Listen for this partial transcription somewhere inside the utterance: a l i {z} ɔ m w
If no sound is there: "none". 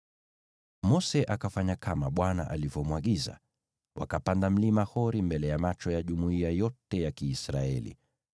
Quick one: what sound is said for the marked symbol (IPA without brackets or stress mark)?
v